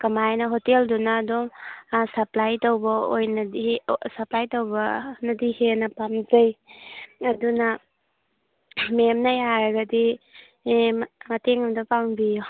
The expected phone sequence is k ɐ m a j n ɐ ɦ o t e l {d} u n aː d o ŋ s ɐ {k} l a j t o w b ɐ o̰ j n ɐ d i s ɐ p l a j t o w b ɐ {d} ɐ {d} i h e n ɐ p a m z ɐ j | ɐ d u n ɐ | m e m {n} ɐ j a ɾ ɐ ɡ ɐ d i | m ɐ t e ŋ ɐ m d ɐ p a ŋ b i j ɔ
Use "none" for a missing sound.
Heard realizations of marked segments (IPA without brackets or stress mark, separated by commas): d, p, n, d, n